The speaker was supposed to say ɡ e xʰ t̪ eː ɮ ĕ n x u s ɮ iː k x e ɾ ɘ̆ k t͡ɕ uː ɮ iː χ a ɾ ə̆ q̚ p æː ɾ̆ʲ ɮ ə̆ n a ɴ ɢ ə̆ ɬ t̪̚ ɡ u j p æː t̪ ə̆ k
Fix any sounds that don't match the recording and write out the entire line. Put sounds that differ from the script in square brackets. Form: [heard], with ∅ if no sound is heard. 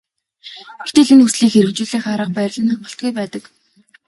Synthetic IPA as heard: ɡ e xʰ t̪ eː ɮ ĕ n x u s ɮ iː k x e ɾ ɘ̆ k t͡ɕ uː ɮ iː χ a ɾ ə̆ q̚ p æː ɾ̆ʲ ɮ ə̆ n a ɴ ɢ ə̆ ɬ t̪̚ ɡ u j p æː t̪ ə̆ k

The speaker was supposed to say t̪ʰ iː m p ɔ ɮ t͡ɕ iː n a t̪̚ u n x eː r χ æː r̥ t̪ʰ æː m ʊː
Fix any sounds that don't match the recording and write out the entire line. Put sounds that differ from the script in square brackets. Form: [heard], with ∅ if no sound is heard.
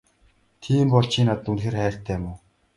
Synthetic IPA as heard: t̪ʰ iː m p ɔ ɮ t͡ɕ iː n a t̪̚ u n x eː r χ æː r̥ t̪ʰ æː m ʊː

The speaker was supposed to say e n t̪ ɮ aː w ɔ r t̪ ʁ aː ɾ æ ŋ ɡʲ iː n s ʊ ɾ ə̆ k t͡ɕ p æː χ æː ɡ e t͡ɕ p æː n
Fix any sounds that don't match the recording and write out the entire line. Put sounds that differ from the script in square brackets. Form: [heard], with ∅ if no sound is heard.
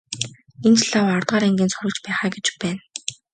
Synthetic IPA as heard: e n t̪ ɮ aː w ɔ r t̪ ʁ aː ɾ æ ŋ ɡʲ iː n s ʊ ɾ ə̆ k t͡ɕ p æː χ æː ɡ e t͡ɕ p æː n

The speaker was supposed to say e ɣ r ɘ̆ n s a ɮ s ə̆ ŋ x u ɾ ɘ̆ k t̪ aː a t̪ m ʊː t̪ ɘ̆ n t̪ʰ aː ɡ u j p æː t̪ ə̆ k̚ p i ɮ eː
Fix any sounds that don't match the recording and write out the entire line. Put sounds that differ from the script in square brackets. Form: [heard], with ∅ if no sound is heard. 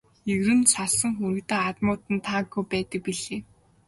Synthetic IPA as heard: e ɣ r ɘ̆ n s a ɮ s ə̆ ŋ x u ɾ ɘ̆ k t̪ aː a t̪ m ʊː t̪ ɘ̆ n t̪ʰ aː ɡ u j p æː t̪ ə̆ k̚ p i ɮ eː

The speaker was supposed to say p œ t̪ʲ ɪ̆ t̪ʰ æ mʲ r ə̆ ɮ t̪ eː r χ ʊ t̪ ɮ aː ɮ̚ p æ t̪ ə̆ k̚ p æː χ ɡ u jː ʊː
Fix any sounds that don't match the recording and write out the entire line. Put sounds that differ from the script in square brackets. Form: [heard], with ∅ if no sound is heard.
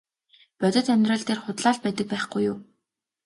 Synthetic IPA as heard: p œ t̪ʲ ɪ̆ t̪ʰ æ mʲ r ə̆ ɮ t̪ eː r χ ʊ t̪ ɮ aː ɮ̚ p æ t̪ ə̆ k̚ p æː χ ɡ u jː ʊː

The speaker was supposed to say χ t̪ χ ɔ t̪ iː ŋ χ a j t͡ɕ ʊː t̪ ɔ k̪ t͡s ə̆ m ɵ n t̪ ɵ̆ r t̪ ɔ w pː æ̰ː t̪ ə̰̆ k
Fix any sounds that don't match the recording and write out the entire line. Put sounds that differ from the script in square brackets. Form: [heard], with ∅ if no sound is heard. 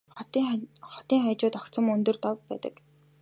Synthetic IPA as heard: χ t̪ χ ɔ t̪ iː ŋ χ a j t͡ɕ ʊː t̪ ɔ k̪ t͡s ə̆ m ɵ n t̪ ɵ̆ r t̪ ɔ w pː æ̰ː t̪ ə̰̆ k

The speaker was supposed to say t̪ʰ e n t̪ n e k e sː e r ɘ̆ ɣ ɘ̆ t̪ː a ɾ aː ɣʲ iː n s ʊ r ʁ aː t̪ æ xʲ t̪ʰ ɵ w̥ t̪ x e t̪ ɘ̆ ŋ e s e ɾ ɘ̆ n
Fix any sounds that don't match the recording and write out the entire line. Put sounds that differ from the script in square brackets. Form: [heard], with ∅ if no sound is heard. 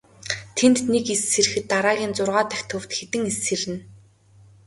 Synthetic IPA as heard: t̪ʰ e n t̪ n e k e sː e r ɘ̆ [x] ɘ̆ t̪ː a ɾ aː ɣʲ iː n [t͡s] ʊ r ʁ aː t̪ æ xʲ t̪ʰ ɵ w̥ t̪ x e t̪ ɘ̆ ŋ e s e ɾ ɘ̆ n

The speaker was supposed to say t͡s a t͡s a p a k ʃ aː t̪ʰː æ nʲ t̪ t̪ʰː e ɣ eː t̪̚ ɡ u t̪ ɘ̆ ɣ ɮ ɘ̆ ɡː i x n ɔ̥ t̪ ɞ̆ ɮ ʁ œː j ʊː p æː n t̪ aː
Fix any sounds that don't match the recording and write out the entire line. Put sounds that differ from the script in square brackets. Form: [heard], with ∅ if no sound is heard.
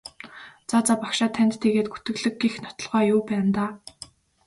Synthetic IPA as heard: t͡s a t͡s a p a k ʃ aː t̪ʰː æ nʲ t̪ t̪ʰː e ɣ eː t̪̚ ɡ u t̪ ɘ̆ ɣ ɮ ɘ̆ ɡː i x n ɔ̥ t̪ ɞ̆ ɮ ʁ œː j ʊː p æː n t̪ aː

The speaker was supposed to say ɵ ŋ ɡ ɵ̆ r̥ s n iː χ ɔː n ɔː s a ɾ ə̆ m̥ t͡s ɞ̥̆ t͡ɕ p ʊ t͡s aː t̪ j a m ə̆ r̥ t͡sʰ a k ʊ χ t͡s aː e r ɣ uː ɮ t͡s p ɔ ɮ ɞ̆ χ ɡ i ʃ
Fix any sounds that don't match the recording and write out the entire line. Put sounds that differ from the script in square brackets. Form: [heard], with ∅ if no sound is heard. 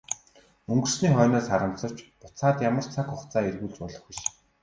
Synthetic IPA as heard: ɵ ŋ ɡ ɵ̆ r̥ s n iː χ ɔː n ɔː s a ɾ ə̆ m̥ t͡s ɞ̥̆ t͡ɕ p ʊ t͡s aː t̪ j a m ə̆ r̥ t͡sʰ a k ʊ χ t͡s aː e r ɣ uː ɮ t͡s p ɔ ɮ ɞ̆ χ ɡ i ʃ

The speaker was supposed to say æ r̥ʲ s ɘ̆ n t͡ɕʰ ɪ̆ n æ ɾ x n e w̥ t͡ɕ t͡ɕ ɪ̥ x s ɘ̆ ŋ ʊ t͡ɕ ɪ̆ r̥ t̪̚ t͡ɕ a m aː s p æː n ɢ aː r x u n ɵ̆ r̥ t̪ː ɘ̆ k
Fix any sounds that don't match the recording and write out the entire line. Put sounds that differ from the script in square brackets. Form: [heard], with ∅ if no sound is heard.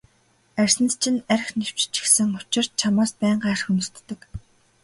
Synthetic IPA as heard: æ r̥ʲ s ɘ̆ n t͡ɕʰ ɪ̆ n æ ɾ x n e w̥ t͡ɕ t͡ɕ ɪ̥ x s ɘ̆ ŋ ʊ t͡ɕ ɪ̆ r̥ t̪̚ [t͡ɕʰ] a m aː s p æː [ɴ] ɢ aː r x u n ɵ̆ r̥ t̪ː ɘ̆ k

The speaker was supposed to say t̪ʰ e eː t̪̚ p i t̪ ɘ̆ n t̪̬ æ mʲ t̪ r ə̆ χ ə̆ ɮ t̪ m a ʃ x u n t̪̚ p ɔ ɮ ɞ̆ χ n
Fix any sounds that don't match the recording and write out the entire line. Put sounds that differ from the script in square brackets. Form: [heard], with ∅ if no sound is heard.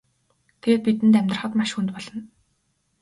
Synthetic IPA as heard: t̪ʰ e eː t̪̚ p i t̪ ɘ̆ n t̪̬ æ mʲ t̪ r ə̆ χ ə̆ [∅] t̪ m a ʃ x u n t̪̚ p ɔ ɮ ɞ̆ [∅] n

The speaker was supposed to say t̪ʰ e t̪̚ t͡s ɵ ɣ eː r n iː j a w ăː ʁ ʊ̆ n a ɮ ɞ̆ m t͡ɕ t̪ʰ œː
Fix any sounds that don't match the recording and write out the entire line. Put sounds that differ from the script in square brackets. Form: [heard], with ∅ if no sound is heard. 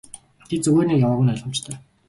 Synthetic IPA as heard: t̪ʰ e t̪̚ t͡s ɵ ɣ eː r n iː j a w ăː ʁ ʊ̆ n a ɮ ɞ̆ m t͡ɕ t̪ʰ œː

